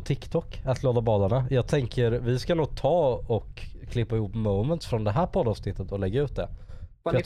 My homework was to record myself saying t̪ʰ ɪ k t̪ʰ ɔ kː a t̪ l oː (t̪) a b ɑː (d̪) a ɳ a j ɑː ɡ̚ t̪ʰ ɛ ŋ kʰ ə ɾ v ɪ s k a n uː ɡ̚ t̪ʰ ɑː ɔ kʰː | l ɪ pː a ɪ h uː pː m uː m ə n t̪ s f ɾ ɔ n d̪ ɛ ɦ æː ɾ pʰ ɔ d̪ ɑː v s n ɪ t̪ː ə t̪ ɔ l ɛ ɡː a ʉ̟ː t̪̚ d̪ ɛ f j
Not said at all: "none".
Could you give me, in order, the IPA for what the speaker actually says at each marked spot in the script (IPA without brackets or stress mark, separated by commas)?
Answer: d̪, d̪